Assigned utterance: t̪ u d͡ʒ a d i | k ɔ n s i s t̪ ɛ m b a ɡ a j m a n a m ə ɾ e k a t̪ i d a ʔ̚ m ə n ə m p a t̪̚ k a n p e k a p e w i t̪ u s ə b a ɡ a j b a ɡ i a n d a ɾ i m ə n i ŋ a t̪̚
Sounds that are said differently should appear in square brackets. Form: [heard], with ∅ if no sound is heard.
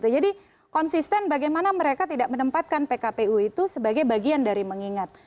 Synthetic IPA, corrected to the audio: t̪ u d͡ʒ a d i | k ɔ n s i s t̪ ɛ [n] b a ɡ a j m a n a m ə ɾ e k a t̪ i d a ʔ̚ m ə n ə m p a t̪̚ k a n p e k a p e [u] i t̪ u s ə b a ɡ a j b a ɡ i a n d a ɾ i m ə [ŋ] i ŋ a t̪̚